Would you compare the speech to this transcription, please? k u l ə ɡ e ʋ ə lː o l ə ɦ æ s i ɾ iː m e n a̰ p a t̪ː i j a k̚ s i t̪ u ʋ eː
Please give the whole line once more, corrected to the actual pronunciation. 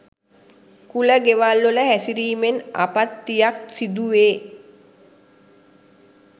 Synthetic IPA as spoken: k u l ə ɡ e ʋ a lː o l ə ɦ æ s i ɾ iː m e n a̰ p a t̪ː i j a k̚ s i d̪ u ʋ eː